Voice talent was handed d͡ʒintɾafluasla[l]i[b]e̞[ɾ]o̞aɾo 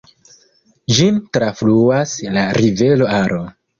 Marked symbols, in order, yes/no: no, no, no

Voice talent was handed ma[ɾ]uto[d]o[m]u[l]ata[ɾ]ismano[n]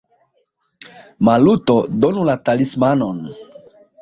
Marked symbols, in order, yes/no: no, yes, no, yes, no, yes

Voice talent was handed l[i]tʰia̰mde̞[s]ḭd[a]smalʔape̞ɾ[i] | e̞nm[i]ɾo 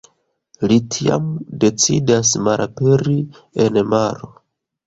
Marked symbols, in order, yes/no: yes, no, yes, yes, no

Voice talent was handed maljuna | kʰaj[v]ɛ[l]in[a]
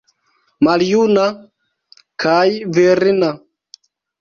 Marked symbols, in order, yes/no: yes, no, yes

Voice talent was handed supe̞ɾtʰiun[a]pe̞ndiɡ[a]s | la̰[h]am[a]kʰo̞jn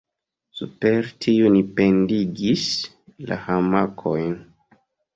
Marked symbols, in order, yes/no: no, no, yes, yes

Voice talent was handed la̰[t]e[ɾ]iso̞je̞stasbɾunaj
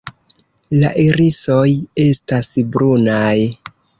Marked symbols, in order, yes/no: no, yes

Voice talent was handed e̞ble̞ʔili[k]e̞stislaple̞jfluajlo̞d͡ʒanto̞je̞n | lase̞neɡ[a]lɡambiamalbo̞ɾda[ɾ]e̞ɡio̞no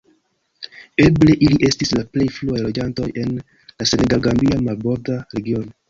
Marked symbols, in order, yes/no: no, yes, yes

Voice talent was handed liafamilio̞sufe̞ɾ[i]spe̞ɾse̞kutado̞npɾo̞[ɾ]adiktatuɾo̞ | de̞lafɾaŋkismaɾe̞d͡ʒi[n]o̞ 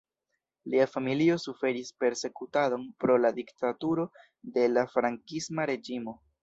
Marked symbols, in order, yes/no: yes, no, no

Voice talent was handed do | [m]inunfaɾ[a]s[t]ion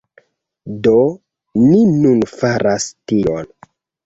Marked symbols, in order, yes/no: no, yes, yes

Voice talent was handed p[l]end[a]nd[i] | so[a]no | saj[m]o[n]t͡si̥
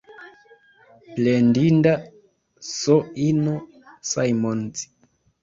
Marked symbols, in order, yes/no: yes, no, no, no, yes, yes

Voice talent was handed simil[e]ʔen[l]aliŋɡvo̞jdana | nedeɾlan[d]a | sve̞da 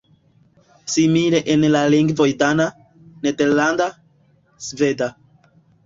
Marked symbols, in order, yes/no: yes, yes, yes

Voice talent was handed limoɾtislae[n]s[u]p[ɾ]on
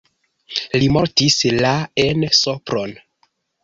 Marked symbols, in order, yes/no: yes, no, yes

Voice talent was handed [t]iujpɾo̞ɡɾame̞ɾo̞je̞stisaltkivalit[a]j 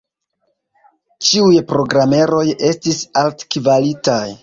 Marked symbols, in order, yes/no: no, yes

